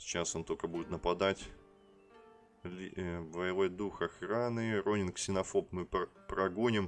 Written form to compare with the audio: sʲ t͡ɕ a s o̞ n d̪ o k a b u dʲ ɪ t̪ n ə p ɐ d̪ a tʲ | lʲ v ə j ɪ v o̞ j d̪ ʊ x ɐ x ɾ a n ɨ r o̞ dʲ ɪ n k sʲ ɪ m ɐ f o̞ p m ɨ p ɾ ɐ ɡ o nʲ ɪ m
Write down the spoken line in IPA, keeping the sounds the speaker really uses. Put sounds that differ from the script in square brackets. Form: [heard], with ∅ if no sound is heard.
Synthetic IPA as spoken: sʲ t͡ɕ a s o̞ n [t̪] o k [ə] b u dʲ ɪ t̪ n ə p ɐ d̪ a tʲ | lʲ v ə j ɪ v o̞ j d̪ [u] x ɐ x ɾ a n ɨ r o̞ [nʲ] ɪ n k sʲ ɪ [n] ɐ f o̞ p m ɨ p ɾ ɐ ɡ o nʲ ɪ m